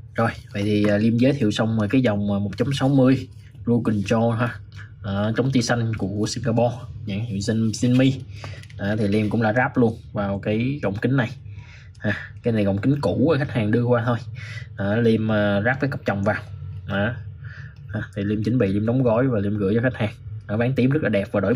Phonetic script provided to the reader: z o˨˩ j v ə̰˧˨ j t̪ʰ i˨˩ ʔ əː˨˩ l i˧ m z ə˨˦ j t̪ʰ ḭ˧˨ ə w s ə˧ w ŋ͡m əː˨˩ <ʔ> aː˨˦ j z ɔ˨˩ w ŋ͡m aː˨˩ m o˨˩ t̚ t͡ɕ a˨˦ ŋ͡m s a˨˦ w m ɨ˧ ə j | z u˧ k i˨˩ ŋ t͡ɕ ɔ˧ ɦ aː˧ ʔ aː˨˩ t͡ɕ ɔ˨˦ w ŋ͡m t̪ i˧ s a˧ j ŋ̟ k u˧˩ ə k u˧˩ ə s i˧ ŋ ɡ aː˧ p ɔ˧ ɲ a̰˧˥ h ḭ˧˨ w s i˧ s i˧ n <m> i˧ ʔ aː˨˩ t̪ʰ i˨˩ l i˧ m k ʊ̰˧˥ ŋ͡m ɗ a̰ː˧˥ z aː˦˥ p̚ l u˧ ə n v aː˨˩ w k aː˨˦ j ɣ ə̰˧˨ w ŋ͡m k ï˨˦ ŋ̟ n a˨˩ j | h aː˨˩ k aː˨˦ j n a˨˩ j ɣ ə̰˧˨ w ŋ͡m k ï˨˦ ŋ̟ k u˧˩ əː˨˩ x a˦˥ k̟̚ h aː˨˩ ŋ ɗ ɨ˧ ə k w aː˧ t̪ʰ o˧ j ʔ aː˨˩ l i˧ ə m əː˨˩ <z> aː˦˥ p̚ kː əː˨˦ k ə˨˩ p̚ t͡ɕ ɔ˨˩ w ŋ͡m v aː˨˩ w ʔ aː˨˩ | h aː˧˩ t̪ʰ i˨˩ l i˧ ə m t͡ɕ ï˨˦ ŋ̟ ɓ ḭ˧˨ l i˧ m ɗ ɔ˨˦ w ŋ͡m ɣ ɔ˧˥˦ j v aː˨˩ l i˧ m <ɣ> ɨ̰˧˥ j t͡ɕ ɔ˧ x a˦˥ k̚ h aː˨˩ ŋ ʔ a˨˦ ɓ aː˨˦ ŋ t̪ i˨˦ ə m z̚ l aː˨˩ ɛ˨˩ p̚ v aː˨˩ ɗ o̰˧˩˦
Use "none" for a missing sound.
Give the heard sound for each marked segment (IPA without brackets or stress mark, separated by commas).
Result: k, m, z, ɣ